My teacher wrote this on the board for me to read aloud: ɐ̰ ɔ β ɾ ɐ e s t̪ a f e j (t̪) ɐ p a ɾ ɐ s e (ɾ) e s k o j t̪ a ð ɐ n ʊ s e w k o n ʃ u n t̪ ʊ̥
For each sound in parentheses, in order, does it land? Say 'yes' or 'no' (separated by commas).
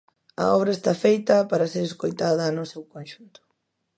yes, yes